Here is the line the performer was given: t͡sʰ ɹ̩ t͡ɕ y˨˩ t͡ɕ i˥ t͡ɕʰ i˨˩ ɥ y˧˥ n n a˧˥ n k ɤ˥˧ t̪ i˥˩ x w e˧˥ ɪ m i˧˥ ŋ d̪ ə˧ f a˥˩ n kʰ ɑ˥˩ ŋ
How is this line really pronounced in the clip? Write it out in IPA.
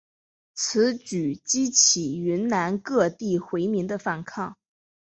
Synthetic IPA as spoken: t͡sʰ ɹ̩ t͡ɕ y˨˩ t͡ɕ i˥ t͡ɕʰ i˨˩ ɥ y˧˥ n n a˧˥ n k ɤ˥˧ t̪ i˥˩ x w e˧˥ ɪ m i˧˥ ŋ d̪ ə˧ f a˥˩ n kʰ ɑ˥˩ ŋ